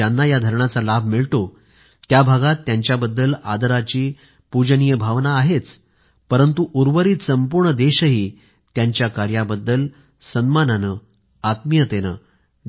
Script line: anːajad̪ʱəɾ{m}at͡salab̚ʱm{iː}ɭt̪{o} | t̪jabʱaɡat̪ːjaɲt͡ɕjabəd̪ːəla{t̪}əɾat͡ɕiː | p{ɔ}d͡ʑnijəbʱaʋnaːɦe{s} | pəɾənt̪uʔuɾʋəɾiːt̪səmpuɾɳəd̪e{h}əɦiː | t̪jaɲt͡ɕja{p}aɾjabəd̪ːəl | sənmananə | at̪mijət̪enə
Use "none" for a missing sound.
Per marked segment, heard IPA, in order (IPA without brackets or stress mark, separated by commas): ɳ, i, o, d̪, u, t͡s, ɕ, k